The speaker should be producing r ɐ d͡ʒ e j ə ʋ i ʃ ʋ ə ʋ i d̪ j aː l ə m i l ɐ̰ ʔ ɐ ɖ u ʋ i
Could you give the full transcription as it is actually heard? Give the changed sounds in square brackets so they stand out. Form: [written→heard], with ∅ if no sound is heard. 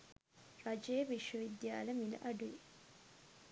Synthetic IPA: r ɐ d͡ʒ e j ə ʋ i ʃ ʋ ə ʋ i d̪ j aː l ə m i l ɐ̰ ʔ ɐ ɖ u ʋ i